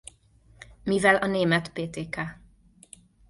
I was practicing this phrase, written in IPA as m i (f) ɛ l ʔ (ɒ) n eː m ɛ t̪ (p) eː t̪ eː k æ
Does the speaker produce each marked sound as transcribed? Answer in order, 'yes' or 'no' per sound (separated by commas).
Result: no, yes, yes